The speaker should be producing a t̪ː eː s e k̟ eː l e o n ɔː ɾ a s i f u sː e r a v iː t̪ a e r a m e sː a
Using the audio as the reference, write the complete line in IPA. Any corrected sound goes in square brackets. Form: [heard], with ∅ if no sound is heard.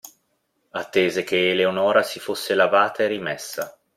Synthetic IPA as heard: a t̪ː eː [z] e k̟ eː l e o n ɔː ɾ a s i f [o] sː e [l] a v [aː] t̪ a e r [i] m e sː a